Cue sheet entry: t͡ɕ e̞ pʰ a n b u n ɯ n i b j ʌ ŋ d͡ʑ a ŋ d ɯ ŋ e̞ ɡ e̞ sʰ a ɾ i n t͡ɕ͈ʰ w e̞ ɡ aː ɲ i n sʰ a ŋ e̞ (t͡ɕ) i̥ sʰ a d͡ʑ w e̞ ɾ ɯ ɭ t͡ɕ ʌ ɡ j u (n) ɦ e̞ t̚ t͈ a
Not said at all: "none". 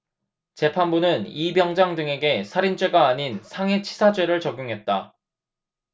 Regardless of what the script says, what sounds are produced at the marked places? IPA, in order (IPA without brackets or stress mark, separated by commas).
t͡ɕʰ, ŋ